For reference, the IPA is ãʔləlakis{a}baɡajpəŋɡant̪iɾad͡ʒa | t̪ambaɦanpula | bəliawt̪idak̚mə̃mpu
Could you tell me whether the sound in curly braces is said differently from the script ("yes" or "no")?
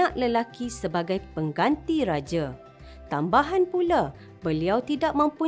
yes